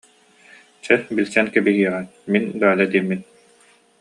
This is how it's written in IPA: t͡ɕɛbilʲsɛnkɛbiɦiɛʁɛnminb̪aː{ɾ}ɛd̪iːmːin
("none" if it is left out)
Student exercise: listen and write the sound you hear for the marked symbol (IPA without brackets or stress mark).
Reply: l